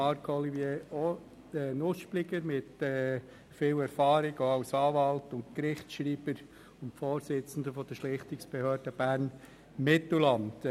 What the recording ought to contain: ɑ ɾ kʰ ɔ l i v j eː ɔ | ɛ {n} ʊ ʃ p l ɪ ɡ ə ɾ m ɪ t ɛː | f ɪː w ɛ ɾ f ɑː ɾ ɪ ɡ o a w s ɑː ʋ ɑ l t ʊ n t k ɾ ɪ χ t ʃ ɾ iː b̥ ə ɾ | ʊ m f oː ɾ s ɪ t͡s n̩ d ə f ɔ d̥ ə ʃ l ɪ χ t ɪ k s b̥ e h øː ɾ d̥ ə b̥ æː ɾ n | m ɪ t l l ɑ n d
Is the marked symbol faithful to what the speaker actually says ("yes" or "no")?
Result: yes